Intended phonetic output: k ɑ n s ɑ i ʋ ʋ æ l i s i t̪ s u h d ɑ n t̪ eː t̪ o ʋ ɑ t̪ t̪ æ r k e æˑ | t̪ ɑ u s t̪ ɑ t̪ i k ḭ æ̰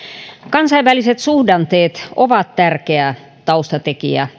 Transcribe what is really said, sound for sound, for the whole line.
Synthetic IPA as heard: k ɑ n s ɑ i ʋ ʋ æ l i s e t̪ s u h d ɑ n t̪ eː t̪ o ʋ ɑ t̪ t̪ æ r k e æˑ | t̪ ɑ u s t̪ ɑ t̪ e k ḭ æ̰